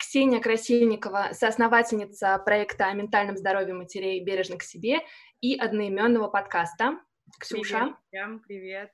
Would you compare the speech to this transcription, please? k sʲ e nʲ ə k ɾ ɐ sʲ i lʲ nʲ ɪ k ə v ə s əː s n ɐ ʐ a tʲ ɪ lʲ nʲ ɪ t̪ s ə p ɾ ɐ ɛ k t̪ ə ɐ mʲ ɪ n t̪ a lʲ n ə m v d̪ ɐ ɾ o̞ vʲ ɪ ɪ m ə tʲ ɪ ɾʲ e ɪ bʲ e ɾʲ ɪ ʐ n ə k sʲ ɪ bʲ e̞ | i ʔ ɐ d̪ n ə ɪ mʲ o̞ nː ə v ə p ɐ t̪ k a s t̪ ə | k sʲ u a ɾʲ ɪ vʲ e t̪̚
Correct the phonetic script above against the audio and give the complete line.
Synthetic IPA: k sʲ e nʲ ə k ɾ ɐ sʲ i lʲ nʲ ɪ k ə v ə s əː s n ɐ v a tʲ ɪ lʲ nʲ ɪ t̪ s ə p ɾ ɐ ɛ k t̪ ə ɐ mʲ ɪ n t̪ a lʲ n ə m z d̪ ɐ ɾ o̞ vʲ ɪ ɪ m ə tʲ ɪ ɾʲ e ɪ bʲ e ɾʲ ɪ ʐ n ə k sʲ ɪ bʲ e̞ | i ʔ ɐ d̪ n ə ɪ mʲ o̞ nː ə v ə p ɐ t̪ k a s t̪ ə | k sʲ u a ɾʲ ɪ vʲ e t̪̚